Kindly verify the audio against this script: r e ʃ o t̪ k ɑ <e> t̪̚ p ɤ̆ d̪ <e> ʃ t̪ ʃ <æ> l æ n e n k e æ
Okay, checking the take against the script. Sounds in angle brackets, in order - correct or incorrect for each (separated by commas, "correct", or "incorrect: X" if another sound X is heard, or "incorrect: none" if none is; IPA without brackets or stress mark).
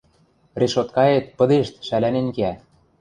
correct, correct, correct